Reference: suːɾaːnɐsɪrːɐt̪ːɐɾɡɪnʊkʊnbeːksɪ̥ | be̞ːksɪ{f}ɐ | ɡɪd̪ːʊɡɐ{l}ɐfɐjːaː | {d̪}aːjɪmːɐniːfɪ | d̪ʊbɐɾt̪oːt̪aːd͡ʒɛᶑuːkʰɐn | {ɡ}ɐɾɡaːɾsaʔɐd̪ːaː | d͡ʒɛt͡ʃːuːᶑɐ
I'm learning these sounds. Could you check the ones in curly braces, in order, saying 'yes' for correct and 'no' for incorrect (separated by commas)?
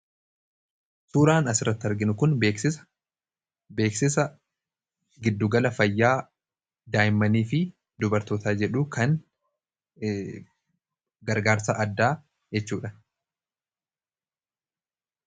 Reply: no, yes, yes, yes